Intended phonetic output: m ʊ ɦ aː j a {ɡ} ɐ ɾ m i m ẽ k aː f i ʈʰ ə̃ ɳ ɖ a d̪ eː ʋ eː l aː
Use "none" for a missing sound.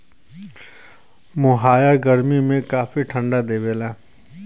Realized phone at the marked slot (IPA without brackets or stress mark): ɡ